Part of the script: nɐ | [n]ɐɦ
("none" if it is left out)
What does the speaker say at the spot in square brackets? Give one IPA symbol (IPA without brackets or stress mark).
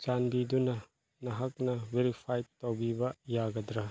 n